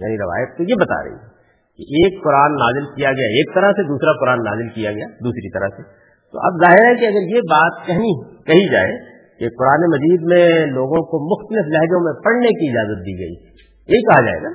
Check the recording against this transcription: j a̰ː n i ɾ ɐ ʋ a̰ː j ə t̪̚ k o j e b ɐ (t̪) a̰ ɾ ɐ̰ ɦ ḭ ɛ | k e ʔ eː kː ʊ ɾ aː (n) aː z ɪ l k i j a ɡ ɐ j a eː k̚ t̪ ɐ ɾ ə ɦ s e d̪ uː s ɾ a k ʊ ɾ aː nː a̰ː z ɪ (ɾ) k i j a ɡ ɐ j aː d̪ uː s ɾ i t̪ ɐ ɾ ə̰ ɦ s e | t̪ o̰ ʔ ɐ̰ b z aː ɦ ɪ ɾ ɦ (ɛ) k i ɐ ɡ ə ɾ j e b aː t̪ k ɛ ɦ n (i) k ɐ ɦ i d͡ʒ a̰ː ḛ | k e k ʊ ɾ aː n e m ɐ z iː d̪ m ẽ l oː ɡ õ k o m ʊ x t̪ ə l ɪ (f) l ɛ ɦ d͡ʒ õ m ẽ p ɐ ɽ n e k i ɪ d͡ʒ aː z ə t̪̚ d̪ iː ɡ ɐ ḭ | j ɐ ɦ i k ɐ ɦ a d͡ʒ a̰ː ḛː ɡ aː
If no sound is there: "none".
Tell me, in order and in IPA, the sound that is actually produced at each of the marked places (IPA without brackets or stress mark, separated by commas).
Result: t̪, nː, l, ɛ, i, f